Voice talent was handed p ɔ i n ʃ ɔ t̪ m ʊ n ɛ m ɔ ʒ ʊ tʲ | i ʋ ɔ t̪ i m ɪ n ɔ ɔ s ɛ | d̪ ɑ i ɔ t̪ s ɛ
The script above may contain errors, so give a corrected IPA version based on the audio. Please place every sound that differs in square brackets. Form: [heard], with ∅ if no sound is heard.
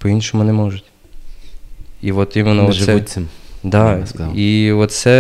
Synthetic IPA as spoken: p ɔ i n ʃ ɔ [∅] m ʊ n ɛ m ɔ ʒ ʊ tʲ | i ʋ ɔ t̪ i m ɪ n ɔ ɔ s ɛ | d̪ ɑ i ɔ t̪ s ɛ